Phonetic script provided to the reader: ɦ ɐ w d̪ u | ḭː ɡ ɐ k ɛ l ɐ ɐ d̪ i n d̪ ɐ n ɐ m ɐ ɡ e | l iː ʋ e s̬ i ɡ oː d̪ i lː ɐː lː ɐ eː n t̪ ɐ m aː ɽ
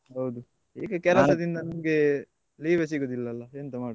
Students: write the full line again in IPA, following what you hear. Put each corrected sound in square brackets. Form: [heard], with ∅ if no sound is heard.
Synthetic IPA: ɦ ɐ w d̪ u | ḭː ɡ ɐ k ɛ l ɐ ɐ d̪ i n d̪ ɐ n ɐ m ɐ ɡ e | l iː ʋ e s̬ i ɡ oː d̪ i lː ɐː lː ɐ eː n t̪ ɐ m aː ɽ